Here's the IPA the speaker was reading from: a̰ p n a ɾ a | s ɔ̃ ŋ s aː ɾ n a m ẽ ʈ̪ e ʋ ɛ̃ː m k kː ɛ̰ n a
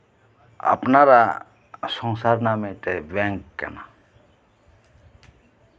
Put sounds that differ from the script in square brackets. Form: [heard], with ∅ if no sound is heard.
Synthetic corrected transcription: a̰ p n a ɾ a | s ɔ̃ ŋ s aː ɾ n a m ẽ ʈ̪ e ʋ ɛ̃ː [ŋ] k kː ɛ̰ n a